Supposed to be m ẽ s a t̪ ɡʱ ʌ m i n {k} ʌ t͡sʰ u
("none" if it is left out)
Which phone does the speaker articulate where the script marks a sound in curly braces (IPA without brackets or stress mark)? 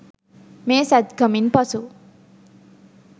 p